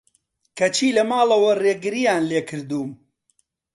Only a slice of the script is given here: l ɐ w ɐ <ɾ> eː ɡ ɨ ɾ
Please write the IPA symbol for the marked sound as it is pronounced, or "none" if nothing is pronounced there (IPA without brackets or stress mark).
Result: r